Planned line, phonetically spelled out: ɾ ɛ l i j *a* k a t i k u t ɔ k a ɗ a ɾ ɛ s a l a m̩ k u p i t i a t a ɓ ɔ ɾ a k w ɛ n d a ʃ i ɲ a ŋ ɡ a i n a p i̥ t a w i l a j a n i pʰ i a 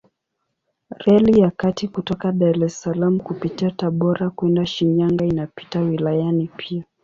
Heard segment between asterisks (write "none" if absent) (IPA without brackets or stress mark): a